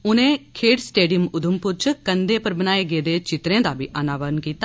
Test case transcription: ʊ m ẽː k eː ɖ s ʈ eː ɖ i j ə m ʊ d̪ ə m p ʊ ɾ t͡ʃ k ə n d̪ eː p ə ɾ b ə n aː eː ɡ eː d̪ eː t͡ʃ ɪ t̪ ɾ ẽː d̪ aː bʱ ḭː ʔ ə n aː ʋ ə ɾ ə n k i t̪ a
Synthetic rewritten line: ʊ n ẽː kʰ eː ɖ s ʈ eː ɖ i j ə m ʊ d̪ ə m p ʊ ɾ t͡ʃ k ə n d̪ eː p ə ɾ b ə n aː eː ɡ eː d̪ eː t͡ʃ ɪ t̪ ɾ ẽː d̪ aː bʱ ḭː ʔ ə n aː ʋ ə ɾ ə n k iː t̪ a